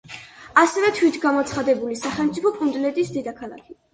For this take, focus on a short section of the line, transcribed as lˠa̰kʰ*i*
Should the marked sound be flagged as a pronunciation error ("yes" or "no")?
no